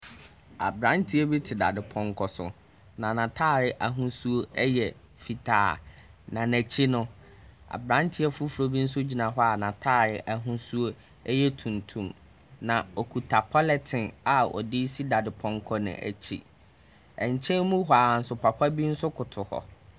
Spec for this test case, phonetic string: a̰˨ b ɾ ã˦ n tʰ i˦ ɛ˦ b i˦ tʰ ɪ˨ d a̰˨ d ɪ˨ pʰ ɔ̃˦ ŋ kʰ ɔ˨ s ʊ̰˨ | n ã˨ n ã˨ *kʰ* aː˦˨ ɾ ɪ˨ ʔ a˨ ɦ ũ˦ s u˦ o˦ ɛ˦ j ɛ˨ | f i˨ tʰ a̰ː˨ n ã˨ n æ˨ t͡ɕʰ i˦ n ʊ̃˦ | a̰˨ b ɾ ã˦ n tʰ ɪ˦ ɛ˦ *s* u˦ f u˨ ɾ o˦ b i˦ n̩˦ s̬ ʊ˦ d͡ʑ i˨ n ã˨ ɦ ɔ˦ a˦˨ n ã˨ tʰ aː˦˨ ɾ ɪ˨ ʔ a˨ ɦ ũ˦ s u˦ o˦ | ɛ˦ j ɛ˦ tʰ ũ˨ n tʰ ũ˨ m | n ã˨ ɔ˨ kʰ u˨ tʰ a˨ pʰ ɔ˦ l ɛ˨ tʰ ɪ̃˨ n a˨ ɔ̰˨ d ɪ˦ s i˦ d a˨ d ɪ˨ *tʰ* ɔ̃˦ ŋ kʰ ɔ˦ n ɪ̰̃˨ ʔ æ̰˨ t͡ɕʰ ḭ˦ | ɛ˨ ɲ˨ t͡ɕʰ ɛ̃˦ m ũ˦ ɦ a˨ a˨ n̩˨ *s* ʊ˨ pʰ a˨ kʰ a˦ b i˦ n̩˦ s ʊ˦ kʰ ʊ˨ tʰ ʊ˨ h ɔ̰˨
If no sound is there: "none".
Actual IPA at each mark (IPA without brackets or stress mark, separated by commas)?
tʰ, f, pʰ, s